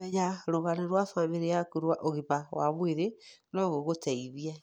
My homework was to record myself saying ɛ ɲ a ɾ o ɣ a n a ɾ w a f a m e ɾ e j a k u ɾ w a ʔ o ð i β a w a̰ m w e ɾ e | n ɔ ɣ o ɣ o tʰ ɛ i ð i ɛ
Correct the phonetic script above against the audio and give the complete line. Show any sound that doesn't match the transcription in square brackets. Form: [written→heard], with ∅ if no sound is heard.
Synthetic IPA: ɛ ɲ a ɾ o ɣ a n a ɾ w a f a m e ɾ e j a k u ɾ w a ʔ o [ð→ɣ] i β a w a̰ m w e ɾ e | n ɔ ɣ o ɣ o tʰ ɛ i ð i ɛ